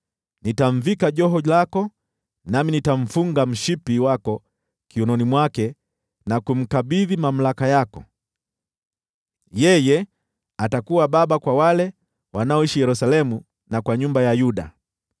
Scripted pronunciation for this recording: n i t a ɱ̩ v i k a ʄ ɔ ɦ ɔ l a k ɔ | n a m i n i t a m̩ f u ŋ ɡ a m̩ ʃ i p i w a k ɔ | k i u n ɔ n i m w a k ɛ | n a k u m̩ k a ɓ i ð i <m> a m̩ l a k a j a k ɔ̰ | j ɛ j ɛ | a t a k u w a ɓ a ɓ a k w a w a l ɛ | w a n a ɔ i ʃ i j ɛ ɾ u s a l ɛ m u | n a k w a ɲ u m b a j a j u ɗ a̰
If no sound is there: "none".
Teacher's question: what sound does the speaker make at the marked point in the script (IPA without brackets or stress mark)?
m